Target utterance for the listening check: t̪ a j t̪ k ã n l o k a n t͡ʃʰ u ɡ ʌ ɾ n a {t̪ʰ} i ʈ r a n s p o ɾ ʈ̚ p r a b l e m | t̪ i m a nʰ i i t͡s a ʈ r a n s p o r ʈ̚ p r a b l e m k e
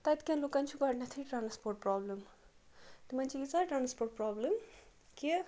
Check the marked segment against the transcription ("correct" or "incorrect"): correct